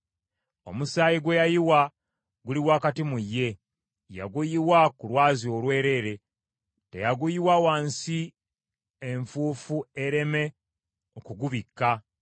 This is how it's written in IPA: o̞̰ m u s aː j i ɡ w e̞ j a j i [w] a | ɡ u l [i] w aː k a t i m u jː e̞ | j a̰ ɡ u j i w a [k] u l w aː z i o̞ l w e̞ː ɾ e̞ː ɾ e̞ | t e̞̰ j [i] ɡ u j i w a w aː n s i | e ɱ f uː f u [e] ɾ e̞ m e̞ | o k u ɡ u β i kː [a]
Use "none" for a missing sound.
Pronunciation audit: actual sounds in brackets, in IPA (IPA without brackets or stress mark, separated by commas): w, i, k, a, e, a